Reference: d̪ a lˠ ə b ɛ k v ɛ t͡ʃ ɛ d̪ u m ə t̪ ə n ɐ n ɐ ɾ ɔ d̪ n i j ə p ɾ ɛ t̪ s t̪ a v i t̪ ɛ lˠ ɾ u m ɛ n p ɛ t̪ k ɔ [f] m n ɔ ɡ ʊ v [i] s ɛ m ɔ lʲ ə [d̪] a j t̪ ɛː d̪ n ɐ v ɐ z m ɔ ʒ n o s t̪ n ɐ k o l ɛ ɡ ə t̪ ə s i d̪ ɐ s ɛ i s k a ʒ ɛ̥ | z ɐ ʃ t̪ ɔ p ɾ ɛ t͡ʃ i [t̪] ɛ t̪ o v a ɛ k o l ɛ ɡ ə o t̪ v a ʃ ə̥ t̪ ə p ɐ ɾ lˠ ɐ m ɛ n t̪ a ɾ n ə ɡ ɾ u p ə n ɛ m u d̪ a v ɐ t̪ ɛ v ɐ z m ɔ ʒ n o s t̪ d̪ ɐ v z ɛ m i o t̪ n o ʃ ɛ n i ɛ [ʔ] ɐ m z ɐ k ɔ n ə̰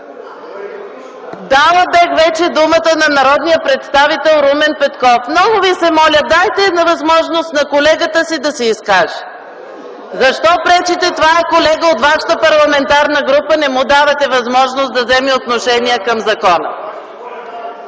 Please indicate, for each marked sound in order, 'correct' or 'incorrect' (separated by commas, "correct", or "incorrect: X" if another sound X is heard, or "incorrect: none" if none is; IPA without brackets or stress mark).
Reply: correct, correct, correct, correct, incorrect: k